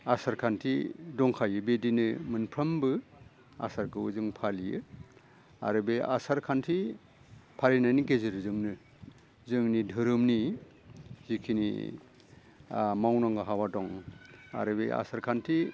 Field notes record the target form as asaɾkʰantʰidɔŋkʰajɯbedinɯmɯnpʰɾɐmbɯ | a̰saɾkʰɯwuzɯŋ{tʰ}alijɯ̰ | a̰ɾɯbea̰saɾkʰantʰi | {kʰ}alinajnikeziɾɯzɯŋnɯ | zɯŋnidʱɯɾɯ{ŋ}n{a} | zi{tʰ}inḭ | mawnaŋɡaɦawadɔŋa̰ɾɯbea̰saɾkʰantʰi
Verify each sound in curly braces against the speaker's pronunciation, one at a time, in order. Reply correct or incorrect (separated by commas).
incorrect, incorrect, incorrect, incorrect, incorrect